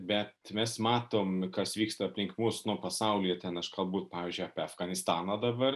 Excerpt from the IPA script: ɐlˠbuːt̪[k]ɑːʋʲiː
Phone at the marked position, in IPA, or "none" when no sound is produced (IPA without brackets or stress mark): p